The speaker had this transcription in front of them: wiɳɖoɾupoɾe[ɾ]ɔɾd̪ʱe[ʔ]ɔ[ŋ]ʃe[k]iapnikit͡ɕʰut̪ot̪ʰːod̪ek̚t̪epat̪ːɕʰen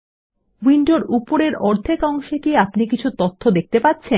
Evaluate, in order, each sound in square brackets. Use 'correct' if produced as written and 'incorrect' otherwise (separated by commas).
correct, incorrect, correct, correct